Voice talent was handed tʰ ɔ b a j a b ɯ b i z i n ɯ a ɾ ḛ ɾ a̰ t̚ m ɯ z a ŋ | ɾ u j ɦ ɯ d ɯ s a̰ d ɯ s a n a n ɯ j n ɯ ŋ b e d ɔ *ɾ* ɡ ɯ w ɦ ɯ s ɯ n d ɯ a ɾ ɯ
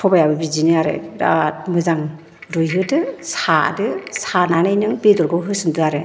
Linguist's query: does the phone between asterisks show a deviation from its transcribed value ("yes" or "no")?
no